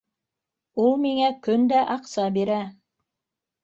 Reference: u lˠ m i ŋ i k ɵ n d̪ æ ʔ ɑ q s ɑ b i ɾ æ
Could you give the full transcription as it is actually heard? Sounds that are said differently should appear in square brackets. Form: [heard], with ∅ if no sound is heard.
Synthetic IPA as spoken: u lˠ m i ŋ [æ] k ɵ n d̪ æ ʔ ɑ q s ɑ b i ɾ æ